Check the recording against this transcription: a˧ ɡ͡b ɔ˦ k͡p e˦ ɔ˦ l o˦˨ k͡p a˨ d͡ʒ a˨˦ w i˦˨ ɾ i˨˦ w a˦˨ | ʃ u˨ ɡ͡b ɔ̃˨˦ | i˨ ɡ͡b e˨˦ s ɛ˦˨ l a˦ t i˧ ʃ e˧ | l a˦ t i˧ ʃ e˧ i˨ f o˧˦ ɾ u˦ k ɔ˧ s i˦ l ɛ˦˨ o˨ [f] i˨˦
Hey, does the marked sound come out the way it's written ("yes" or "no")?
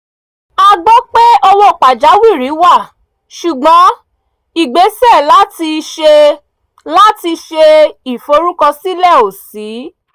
no